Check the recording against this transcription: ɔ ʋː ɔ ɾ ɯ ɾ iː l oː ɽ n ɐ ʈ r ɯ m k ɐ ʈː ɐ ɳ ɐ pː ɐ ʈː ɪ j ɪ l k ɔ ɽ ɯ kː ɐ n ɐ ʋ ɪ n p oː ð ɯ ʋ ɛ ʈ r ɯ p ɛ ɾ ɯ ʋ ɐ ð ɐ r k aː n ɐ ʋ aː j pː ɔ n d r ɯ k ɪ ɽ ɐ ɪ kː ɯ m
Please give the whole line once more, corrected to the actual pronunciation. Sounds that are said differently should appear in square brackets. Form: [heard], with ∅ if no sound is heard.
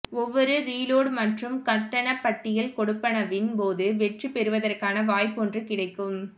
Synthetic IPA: ɔ ʋː ɔ ɾ ɯ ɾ iː l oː ɽ [m] ɐ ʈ r ɯ m k ɐ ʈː ɐ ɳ ɐ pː ɐ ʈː ɪ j ɪ l k ɔ ɽ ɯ [pː] ɐ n ɐ ʋ ɪ n p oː ð ɯ ʋ ɛ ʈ r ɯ p ɛ ɾ ɯ ʋ ɐ ð ɐ r k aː n ɐ ʋ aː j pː ɔ n d r ɯ k ɪ ɽ ɐ ɪ kː ɯ m